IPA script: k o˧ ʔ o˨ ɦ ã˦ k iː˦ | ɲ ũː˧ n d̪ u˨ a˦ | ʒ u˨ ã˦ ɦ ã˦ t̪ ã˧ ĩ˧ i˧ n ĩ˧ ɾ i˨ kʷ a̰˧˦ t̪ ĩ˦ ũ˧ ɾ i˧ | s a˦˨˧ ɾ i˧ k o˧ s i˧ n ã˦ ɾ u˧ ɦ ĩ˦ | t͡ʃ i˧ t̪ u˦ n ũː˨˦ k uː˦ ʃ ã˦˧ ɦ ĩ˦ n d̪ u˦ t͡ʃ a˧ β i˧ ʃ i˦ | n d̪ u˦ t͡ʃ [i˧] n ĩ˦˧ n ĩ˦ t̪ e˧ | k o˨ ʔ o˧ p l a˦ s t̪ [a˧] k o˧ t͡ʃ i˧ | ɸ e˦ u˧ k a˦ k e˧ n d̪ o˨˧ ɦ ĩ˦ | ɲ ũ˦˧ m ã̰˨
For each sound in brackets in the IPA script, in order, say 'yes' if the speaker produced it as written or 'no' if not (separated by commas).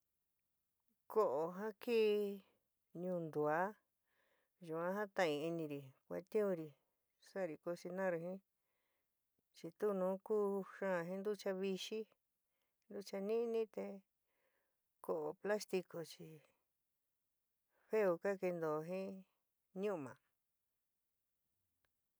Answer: no, no